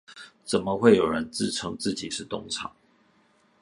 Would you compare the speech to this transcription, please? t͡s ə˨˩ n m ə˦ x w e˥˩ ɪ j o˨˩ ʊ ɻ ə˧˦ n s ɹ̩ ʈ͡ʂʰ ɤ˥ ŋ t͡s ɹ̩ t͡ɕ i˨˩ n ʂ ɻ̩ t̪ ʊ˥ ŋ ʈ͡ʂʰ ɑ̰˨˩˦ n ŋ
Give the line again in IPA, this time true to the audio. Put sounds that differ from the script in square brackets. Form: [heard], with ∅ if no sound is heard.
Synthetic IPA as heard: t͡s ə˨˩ n m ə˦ x w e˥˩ ɪ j o˨˩ ʊ ɻ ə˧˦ n [t͡s] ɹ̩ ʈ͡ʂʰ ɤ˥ ŋ t͡s ɹ̩ t͡ɕ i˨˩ [∅] ʂ ɻ̩ t̪ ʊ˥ ŋ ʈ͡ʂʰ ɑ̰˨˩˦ [∅] ŋ